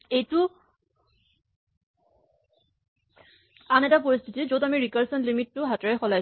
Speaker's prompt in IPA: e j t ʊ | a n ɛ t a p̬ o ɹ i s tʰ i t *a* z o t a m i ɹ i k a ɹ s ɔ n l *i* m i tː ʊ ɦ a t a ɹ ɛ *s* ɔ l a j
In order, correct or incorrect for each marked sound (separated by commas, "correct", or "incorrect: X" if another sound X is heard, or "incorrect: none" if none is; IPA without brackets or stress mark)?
incorrect: i, correct, incorrect: x